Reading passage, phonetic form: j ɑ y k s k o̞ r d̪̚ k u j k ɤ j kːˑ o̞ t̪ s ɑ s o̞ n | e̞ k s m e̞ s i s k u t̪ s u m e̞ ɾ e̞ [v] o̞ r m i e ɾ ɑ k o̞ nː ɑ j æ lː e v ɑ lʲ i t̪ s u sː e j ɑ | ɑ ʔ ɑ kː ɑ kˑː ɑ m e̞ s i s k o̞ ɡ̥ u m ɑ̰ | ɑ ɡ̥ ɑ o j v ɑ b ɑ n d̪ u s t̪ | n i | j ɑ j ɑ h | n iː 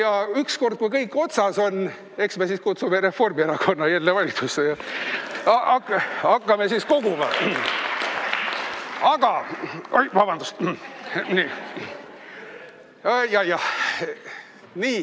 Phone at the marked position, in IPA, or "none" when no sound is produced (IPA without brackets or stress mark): f